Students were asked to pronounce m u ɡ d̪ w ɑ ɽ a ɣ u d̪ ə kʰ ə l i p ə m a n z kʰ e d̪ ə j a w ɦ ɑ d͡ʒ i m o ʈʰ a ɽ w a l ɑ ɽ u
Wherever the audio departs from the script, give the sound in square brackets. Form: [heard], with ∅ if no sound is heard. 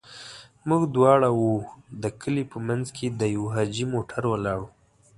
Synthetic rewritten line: m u ɡ d̪ w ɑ ɽ a [w] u d̪ ə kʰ ə l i p ə m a n z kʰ e d̪ ə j a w ɦ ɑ d͡ʒ i m o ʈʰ a [ɾ] w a l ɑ ɽ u